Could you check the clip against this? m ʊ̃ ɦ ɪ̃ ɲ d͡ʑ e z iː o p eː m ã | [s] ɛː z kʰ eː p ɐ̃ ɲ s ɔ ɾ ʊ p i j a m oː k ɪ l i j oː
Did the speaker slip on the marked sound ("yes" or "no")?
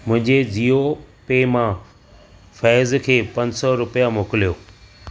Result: yes